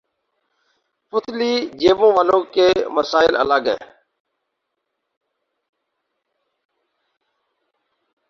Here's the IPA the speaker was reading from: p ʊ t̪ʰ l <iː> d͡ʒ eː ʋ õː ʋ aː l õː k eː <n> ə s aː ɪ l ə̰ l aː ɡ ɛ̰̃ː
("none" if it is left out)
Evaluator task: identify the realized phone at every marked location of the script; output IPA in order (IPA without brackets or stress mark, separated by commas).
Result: iː, m